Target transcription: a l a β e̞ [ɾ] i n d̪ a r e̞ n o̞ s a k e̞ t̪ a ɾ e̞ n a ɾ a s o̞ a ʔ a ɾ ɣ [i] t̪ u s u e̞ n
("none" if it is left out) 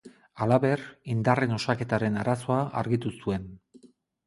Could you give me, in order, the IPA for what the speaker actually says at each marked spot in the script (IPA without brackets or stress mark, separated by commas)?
r, i